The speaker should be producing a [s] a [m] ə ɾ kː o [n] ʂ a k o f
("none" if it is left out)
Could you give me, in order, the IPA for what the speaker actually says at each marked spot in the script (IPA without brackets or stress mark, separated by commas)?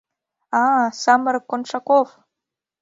s, m, n